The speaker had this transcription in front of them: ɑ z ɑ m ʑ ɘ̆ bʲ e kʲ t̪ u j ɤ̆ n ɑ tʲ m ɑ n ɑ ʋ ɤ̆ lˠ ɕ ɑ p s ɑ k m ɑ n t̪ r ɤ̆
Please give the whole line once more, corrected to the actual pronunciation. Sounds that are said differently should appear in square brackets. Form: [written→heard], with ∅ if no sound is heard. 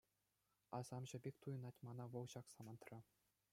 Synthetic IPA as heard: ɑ z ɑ m ʑ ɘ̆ bʲ e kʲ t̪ u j ɤ̆ n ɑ tʲ m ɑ n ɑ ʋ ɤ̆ lˠ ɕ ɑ [p→k] s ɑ [k→∅] m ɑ n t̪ r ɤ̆